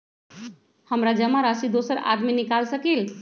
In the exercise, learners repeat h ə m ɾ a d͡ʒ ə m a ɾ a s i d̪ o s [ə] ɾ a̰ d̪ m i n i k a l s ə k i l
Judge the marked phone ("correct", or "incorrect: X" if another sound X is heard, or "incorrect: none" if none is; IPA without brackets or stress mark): correct